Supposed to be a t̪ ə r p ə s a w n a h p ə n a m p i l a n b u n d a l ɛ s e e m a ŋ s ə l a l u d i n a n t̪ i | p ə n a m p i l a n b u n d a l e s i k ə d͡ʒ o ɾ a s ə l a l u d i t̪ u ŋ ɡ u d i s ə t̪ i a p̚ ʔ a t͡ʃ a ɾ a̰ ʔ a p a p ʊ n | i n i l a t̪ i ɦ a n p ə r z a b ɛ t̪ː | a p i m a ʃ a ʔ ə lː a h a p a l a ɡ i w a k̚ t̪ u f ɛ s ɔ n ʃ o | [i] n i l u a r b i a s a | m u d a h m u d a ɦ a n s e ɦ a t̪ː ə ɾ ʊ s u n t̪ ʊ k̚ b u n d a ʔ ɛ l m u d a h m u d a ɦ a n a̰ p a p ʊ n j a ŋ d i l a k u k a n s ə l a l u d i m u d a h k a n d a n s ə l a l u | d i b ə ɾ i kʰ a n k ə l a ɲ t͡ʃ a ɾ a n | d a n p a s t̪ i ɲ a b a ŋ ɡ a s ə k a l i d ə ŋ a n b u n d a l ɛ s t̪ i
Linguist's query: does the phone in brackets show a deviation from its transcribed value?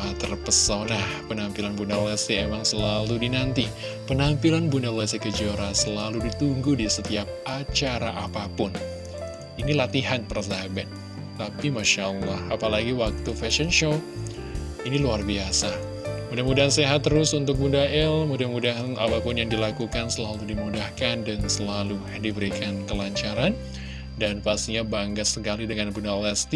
no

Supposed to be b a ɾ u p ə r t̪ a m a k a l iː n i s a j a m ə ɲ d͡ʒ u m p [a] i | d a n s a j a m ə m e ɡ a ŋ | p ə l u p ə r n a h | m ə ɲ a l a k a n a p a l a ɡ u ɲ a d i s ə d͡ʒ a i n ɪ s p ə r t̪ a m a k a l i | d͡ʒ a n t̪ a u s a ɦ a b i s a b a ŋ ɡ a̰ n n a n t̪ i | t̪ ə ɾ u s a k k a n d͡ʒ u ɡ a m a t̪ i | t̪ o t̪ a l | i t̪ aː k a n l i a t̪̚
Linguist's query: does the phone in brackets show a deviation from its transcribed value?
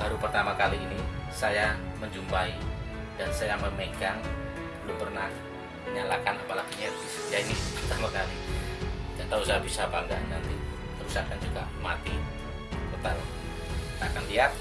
no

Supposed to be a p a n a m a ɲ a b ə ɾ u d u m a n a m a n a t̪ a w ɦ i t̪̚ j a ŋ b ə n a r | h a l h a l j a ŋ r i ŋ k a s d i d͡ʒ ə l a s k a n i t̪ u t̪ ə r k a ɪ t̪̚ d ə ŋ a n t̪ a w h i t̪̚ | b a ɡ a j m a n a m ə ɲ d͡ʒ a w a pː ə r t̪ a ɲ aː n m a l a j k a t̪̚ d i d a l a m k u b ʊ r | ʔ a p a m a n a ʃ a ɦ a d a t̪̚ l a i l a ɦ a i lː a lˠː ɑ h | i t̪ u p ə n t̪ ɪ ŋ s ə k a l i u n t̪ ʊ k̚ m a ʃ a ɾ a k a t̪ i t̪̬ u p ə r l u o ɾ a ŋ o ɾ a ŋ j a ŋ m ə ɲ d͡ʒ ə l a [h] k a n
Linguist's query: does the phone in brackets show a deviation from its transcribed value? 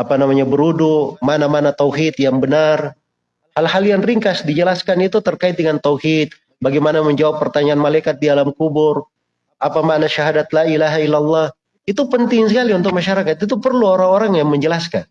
yes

